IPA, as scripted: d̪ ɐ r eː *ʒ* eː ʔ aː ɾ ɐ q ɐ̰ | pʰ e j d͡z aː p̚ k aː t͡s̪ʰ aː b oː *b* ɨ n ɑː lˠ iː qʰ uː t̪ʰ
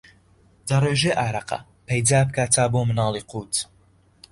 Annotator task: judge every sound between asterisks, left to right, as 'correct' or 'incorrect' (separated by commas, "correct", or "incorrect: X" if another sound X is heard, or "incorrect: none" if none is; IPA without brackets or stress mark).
correct, incorrect: m